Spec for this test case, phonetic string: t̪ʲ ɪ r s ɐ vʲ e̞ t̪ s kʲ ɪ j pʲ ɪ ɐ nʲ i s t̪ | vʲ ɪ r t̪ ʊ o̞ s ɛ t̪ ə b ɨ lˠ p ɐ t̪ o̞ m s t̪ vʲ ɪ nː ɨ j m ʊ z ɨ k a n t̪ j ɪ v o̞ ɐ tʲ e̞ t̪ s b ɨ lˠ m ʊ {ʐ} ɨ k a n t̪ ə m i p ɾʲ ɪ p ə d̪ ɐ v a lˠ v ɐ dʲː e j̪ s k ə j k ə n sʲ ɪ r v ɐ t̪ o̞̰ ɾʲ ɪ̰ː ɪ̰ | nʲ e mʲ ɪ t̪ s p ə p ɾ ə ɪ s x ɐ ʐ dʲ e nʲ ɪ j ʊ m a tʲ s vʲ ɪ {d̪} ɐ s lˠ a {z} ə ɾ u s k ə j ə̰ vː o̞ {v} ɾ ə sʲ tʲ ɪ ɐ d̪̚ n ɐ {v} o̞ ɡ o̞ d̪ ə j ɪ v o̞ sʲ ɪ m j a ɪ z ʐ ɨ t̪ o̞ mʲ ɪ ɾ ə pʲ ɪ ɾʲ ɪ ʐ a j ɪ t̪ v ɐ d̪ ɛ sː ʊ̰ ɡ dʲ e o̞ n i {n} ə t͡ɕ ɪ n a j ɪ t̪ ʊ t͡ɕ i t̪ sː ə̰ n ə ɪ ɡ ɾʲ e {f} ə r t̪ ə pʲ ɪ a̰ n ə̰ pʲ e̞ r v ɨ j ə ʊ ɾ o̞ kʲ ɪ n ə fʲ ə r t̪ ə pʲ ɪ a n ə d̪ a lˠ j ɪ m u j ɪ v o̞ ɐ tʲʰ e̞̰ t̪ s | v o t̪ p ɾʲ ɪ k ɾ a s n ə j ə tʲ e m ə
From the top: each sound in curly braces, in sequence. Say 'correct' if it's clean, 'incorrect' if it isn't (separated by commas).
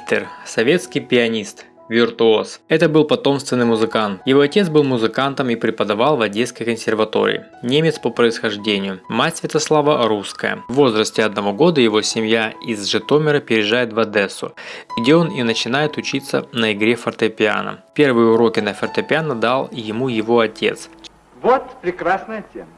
incorrect, incorrect, incorrect, incorrect, correct, correct, correct